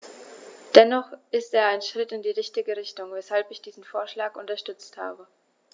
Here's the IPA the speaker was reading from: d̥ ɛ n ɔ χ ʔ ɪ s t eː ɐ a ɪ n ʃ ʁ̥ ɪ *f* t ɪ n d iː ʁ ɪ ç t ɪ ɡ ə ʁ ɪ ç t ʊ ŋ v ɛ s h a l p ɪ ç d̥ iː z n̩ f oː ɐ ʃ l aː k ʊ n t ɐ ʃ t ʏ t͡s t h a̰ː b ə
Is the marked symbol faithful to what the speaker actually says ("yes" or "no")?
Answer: no